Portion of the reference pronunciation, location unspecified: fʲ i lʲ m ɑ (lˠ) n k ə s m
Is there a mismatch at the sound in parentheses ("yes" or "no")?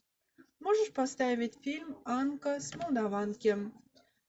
yes